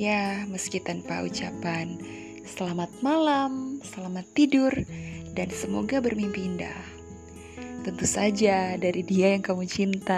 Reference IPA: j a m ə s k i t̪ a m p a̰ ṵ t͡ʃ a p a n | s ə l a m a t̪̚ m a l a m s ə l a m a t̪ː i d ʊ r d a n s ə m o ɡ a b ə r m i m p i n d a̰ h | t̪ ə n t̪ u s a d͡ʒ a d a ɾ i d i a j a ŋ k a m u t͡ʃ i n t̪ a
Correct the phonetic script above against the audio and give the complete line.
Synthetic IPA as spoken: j a m ə s k i t̪ a n p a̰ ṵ t͡ʃ a p a n | s ə l a m a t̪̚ m a l a m s ə l a m a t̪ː i d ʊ r d a n s ə m o ɡ a b ə r m i m p i n d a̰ h | t̪ ə n t̪ u s a d͡ʒ a d a ɾ i d i a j a ŋ k a m u t͡ʃ i n t̪ a